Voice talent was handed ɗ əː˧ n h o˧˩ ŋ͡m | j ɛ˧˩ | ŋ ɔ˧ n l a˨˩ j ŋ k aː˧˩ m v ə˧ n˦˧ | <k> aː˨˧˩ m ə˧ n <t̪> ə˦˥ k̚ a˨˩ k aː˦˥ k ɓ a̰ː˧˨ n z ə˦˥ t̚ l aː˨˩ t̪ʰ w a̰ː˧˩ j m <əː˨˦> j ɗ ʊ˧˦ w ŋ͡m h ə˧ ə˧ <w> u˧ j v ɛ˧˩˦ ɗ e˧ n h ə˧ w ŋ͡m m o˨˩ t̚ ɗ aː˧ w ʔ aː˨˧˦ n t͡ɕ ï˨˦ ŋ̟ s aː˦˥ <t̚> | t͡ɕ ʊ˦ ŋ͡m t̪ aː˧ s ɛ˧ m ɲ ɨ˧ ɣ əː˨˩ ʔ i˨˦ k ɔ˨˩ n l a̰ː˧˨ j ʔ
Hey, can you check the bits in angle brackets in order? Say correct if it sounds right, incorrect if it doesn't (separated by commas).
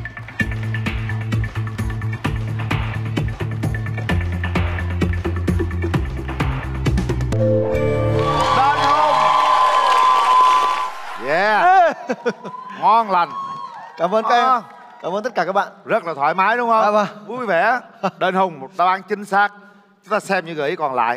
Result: correct, correct, incorrect, incorrect, incorrect